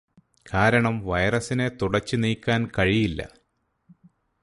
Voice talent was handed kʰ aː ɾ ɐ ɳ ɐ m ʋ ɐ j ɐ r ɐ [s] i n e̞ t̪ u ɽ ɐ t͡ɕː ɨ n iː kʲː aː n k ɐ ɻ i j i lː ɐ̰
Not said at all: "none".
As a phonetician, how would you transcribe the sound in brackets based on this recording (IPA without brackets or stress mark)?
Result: s